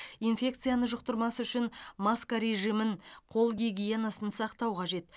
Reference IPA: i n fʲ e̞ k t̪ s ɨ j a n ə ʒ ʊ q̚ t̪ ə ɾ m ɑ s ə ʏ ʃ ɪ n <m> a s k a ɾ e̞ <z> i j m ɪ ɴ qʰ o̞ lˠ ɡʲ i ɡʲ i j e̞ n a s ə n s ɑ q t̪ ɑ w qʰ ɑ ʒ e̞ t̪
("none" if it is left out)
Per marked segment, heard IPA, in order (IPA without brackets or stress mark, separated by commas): m, ʒ